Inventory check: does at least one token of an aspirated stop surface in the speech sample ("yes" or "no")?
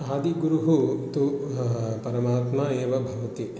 no